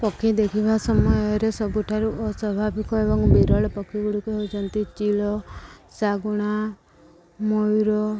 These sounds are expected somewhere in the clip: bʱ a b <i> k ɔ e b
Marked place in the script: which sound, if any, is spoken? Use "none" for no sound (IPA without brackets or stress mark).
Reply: i